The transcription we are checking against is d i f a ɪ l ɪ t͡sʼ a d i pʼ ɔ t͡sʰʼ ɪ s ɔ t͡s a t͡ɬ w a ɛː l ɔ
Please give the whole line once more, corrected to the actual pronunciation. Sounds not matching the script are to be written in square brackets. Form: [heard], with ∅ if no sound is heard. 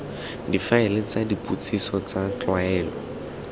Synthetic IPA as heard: d i f a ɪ l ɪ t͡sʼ a d i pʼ [u] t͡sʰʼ [i] s ɔ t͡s a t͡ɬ w a ɛː l ɔ